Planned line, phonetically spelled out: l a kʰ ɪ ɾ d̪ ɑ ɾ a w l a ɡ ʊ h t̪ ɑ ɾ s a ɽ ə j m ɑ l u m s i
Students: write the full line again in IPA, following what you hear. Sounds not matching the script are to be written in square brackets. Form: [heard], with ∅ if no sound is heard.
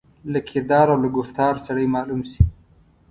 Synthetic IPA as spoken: l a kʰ ɪ ɾ d̪ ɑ ɾ a w l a ɡ ʊ [f] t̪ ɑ ɾ s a ɽ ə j m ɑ l u m s i